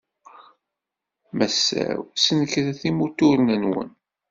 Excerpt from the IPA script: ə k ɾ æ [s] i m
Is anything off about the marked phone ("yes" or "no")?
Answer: yes